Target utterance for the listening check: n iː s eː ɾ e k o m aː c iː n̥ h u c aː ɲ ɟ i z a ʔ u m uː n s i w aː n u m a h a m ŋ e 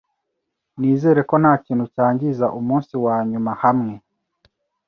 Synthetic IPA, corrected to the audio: n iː z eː ɾ e k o n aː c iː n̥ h u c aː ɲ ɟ i z a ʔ u m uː n s i w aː ɲ u m a h a m ŋ e